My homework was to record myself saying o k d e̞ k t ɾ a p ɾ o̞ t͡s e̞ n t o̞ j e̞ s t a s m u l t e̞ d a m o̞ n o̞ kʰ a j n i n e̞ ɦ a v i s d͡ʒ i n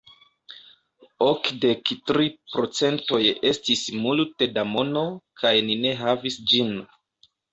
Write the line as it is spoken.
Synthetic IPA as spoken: o k d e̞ k t ɾ i p ɾ o̞ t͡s e̞ n t o̞ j e̞ s t i s m u l t e̞ d a m o̞ n o̞ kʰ a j n i n e̞ ɦ a v i s d͡ʒ i n

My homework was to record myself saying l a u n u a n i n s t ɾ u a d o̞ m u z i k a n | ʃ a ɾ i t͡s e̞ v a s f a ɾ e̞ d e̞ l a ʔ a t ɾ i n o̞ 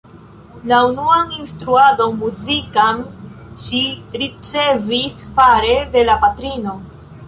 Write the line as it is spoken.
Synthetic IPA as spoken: l a u n u a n i n s t ɾ u a d o̞ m u z i k a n | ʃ i ɾ i t͡s e̞ v i s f a ɾ e̞ d e̞ l a p a t ɾ i n o̞

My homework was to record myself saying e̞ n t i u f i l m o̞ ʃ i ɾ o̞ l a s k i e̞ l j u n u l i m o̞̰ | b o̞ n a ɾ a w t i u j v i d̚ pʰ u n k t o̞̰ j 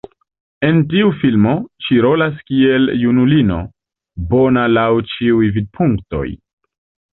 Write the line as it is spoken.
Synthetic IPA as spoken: e̞ n t i u f i l m o̞ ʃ i ɾ o̞ l a s k i e̞ l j u n u l i n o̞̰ | b o̞ n a l a w t͡ʃ i u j v i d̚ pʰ u ŋ k t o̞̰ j

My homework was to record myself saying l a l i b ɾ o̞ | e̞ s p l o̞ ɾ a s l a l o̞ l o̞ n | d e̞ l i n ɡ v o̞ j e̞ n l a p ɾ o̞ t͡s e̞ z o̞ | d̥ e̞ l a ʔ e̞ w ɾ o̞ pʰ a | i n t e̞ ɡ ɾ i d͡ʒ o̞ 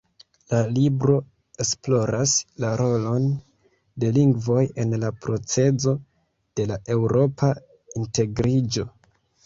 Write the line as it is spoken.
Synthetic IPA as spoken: l a l i b ɾ o̞ | e̞ s p l o̞ ɾ a s l a ɾ o̞ l o̞ n | d e̞ l i ŋ ɡ v o̞ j e̞ n l a p ɾ o̞ t͡s e̞ z o̞ | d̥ e̞ l a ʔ e̞ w ɾ o̞ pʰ a | i n t e̞ ɡ ɾ i d͡ʒ o̞

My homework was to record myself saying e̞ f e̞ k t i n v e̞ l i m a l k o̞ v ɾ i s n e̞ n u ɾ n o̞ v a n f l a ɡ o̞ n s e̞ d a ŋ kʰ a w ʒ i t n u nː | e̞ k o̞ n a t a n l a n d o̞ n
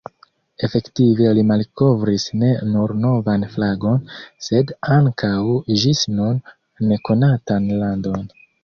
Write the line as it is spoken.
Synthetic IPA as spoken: e̞ f e̞ k t i v e̞ l i m a l k o̞ v ɾ i s n e̞ n u ɾ n o̞ v a n f l a ɡ o̞ n s e̞ d a ŋ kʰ a w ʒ i s n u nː | e̞ k o̞ n a t a n l a n d o̞ n

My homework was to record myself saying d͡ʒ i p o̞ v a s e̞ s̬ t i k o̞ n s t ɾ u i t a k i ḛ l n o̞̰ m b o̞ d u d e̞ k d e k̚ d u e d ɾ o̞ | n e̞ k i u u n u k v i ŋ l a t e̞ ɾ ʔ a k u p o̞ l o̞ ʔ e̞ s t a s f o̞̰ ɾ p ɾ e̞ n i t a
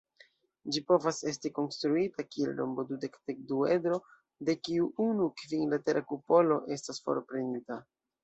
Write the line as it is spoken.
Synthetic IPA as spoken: d͡ʒ i p o̞ v a s e̞ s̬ t i k o̞ n s t ɾ u i t a k i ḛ l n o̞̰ m b o̞ d u d e̞ k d e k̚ d u e d ɾ o̞ | d e̞ k i u u n u k v i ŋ l a t e̞ ɾ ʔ a k u p o̞ l o̞ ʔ e̞ s t a s f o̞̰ ɾ p ɾ e̞ n i t a

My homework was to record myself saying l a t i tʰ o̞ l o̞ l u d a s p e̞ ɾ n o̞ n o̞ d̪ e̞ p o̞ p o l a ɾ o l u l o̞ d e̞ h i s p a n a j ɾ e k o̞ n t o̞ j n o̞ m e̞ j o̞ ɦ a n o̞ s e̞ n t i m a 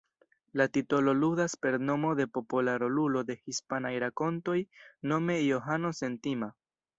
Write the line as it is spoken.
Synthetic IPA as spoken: l a t i t o̞ l o̞ l u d a s p e̞ ɾ n o̞ m o̞ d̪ e̞ p o̞ p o l a ɾ o l u l o̞ d e̞ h i s p a n a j ɾ a k o̞ n t o̞ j n o̞ m e̞ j o̞ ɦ a n o̞ s e̞ n t i m a

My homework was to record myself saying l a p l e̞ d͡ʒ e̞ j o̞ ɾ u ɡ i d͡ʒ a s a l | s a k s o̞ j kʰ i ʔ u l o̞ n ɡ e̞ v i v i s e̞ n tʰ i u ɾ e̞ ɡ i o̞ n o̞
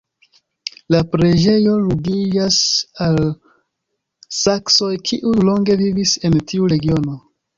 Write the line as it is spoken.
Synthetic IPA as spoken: l a p ɾ e̞ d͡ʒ e̞ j o̞ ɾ u ɡ i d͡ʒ a s a l | s a k s o̞ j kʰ i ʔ u l o̞ ŋ ɡ e̞ v i v i s e̞ n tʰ i u ɾ e̞ ɡ i o̞ n o̞

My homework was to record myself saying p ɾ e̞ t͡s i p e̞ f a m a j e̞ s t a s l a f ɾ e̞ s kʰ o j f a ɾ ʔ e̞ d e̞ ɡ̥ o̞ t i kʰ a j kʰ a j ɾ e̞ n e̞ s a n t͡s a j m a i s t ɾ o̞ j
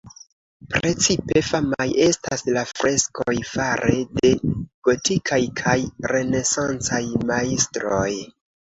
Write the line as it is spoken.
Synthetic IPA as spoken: p ɾ e̞ t͡s i p e̞ f a m a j e̞ s t a s l a f ɾ e̞ s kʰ o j f a ɾ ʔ e̞ d e̞ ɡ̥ o̞ t i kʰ a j kʰ a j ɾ e̞ n e̞ s a n t͡s a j m a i s t ɾ o̞ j

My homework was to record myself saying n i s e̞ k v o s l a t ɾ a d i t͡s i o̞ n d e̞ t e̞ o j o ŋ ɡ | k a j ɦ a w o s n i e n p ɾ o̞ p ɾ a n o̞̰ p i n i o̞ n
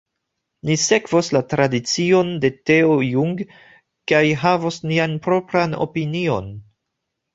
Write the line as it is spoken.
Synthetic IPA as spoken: n i s e̞ k v o s l a t ɾ a d i t͡s i o̞ n d e̞ t e̞ o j u ŋ ɡ | k a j ɦ a v o s n i a n p ɾ o̞ p ɾ a n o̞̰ p i n i o̞ n

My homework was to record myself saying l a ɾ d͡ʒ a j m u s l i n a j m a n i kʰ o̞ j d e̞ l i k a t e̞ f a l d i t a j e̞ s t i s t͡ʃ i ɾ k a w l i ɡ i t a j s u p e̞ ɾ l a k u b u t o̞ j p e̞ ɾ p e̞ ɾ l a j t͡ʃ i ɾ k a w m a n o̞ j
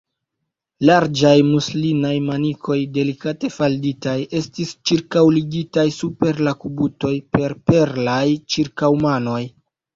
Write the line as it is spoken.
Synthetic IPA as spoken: l a ɾ d͡ʒ a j m u s l i n a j m a n i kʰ o̞ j d e̞ l i k a t e̞ f a l d i t a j e̞ s t i s t͡ʃ i ɾ k a w l i ɡ i t a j s u p e̞ ɾ l a k u b u t o̞ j p e̞ ɾ p e̞ ɾ l a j t͡ʃ i ɾ k a w m a n o̞ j

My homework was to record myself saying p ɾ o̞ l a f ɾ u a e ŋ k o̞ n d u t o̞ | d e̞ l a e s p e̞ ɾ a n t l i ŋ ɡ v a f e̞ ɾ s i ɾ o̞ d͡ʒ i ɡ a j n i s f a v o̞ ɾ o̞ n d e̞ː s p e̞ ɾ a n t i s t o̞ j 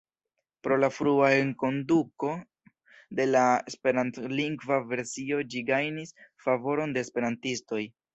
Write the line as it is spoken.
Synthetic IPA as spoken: p ɾ o̞ l a f ɾ u a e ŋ k o̞ n d u k o̞ | d e̞ l a e s p e̞ ɾ a n t l i ŋ ɡ v a v e̞ ɾ s i o̞ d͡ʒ i ɡ a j n i s f a v o̞ ɾ o̞ n d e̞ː s p e̞ ɾ a n t i s t o̞ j

